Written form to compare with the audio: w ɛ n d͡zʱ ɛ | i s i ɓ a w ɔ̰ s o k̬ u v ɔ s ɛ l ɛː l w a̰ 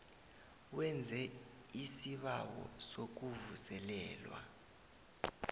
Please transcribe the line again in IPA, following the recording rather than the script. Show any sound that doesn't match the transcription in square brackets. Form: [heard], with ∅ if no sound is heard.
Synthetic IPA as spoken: w ɛ n d͡zʱ ɛ | i s i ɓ a w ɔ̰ s o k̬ u v [u] s ɛ l ɛː l w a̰